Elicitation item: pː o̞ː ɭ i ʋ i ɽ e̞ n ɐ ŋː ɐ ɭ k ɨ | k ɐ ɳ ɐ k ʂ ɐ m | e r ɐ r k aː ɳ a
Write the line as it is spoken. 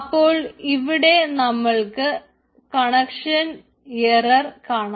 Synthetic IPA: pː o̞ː ɭ i ʋ i ɽ e̞ n ɐ mː ɐ ɭ k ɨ | k ɐ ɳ ɐ k ʂ ɐ n | e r ɐ r k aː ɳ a